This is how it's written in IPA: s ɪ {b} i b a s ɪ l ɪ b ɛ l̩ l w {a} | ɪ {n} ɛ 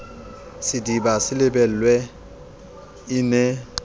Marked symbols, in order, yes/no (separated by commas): no, no, yes